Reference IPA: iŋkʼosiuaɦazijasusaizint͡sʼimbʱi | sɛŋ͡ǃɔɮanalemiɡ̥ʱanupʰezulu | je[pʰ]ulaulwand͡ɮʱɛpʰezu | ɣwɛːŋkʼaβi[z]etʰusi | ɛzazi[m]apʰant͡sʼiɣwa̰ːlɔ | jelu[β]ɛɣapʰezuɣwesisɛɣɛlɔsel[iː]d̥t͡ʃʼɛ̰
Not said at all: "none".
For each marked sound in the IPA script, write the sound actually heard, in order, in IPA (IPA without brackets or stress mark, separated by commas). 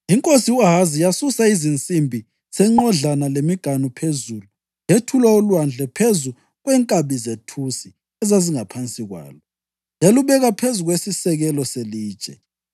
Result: tʰ, z, ŋ, β, iː